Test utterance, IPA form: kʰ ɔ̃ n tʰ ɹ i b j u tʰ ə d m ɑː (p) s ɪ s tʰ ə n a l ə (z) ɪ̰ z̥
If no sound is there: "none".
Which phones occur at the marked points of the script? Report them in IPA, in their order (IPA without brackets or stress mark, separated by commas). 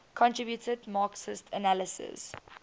k, s